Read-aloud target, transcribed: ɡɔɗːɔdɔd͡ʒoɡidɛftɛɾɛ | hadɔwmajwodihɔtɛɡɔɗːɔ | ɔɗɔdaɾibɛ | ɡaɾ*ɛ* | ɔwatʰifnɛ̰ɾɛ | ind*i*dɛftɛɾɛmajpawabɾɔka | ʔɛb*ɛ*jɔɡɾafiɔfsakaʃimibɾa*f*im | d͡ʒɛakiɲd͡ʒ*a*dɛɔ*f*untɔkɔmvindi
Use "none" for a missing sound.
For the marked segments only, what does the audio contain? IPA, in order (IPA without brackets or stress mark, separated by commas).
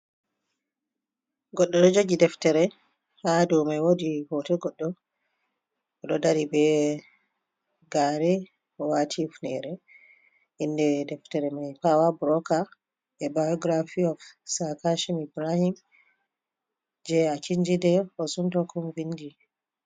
ɛ, ɛ, a, h, i, s